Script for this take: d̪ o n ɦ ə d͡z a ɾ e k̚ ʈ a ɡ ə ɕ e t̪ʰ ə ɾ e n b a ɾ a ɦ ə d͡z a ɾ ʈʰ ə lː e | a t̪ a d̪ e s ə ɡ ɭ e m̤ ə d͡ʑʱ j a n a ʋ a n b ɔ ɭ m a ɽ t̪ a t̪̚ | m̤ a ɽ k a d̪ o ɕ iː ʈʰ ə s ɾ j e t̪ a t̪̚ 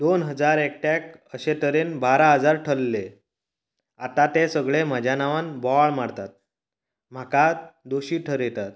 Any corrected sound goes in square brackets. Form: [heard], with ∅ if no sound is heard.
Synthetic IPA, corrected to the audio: d̪ o n ɦ ə d͡z a ɾ e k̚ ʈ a [k] ə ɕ e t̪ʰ ə ɾ e n b a ɾ a ɦ ə d͡z a ɾ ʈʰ ə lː e | a t̪ a [t̪] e s ə ɡ ɭ e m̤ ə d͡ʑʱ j a n a ʋ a n b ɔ ɭ m a ɽ t̪ a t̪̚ | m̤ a [∅] k a d̪ o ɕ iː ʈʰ ə [∅] ɾ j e t̪ a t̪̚